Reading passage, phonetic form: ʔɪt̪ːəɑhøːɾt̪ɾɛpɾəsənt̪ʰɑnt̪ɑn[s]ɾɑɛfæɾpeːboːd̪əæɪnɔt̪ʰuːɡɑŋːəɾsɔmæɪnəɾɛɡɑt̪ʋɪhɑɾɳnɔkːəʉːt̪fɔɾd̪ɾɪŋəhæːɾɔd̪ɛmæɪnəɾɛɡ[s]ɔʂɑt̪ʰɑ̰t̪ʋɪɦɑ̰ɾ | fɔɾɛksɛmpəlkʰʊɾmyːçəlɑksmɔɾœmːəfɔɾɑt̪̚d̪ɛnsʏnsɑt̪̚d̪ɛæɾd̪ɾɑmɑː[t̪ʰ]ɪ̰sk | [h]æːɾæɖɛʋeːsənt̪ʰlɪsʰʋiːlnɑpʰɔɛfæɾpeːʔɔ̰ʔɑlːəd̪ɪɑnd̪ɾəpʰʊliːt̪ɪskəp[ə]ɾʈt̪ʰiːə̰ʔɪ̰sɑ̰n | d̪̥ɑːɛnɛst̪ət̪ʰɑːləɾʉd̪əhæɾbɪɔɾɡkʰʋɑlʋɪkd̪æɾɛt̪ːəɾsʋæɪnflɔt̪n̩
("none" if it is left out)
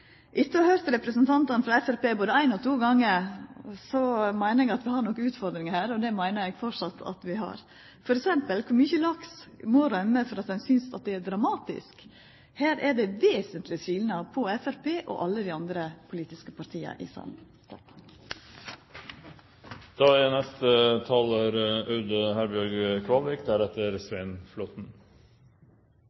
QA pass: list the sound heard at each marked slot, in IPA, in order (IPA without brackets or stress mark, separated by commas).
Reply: f, f, t̪, h, ɑ